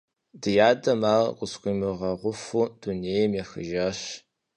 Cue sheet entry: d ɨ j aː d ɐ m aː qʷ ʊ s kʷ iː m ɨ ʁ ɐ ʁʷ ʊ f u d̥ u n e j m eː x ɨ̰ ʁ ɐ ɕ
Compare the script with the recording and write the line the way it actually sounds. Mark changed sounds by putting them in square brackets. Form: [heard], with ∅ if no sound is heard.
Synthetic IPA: d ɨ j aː d ɐ m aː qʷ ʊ s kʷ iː m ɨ ʁ ɐ ʁʷ ʊ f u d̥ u n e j m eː x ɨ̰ [ʒ] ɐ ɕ